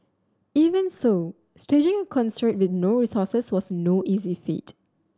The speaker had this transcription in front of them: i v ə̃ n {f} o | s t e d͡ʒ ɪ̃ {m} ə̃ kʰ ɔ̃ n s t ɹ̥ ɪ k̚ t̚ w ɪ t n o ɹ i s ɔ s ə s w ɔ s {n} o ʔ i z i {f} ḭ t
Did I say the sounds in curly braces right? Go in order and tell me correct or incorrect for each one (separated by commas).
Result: incorrect, incorrect, correct, correct